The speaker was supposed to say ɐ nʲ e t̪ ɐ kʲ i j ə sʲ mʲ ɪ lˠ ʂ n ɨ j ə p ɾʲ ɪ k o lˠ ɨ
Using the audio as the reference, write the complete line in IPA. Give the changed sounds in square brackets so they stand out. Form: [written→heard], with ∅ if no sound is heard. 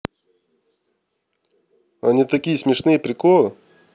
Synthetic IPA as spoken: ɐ nʲ [e→i] t̪ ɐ kʲ i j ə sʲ mʲ ɪ [lˠ→∅] ʂ n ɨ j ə p ɾʲ ɪ k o lˠ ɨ